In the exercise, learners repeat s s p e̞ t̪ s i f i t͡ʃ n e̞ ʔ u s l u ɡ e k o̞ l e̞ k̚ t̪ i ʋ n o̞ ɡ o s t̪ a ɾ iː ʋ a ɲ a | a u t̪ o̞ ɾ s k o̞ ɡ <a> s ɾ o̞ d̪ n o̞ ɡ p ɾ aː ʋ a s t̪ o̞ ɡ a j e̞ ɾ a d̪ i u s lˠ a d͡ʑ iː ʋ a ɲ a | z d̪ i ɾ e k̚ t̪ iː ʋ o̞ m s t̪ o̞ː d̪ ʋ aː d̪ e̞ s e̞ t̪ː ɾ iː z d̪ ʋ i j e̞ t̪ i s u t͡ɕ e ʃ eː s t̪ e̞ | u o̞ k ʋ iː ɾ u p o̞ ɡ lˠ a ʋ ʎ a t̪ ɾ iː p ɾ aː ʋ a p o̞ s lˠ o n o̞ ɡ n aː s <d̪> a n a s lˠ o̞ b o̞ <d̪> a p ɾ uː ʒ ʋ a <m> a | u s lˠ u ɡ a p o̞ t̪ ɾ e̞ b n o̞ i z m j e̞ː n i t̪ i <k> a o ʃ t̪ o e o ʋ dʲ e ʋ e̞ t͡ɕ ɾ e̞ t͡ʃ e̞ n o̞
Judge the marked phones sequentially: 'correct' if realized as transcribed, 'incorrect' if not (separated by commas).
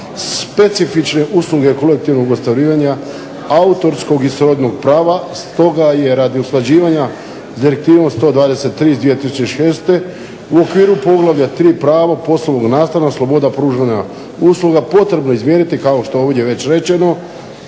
incorrect, incorrect, correct, incorrect, correct